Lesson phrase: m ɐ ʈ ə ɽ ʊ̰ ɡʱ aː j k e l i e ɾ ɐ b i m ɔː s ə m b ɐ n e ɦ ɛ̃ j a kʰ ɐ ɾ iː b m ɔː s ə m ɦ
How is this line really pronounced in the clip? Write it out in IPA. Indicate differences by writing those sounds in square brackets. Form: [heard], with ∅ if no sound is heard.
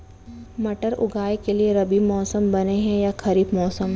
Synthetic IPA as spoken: m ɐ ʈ ə [ɾ] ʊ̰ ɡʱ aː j k e l i e ɾ ɐ b i m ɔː s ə m b ɐ n e ɦ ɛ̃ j a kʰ ɐ ɾ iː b m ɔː s ə m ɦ